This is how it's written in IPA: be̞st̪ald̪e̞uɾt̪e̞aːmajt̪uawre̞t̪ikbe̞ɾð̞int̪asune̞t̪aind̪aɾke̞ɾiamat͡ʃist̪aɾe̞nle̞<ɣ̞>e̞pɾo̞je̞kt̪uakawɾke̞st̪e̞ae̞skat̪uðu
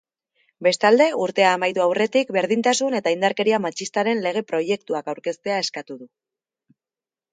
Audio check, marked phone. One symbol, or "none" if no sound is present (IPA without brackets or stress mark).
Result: ɣ̞